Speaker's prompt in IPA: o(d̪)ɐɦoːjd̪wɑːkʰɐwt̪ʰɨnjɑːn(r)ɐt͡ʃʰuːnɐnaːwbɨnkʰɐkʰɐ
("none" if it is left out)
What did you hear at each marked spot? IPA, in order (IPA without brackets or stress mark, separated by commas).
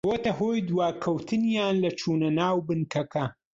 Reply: t̪, l